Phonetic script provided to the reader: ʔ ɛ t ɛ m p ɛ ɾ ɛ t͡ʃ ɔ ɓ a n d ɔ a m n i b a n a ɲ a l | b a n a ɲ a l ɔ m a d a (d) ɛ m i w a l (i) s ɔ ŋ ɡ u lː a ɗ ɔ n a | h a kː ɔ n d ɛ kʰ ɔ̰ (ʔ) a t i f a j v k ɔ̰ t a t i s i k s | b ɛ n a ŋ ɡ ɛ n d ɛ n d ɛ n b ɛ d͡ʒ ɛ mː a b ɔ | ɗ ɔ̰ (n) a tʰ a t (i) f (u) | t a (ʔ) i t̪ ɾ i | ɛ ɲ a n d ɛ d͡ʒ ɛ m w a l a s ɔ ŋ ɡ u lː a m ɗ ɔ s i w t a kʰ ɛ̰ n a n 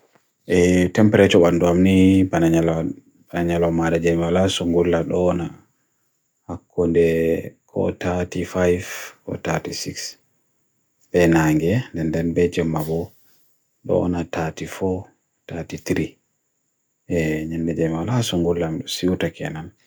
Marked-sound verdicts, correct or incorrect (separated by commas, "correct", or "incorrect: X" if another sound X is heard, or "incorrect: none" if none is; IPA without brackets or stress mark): incorrect: d͡ʒ, incorrect: a, incorrect: t, correct, correct, incorrect: ɔ, incorrect: t